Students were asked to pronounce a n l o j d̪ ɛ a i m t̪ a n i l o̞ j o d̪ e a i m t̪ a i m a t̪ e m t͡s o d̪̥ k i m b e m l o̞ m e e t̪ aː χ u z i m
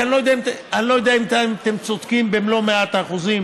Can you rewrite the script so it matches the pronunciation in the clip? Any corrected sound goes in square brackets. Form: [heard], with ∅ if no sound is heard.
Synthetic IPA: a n l o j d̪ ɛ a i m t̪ a n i l o̞ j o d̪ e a i m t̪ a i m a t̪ e m t͡s o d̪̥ k i m b e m l o̞ m e [a] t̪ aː χ u z i m